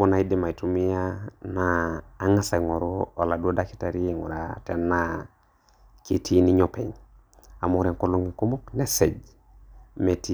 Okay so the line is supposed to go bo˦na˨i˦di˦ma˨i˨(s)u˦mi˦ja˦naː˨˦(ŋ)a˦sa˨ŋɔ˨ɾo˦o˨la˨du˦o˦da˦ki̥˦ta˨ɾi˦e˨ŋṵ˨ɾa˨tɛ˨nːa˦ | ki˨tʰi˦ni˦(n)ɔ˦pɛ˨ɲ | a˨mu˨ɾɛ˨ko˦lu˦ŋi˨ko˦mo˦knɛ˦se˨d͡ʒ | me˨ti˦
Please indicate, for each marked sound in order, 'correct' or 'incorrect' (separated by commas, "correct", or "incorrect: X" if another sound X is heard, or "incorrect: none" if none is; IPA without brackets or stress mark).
incorrect: t, correct, incorrect: ɲ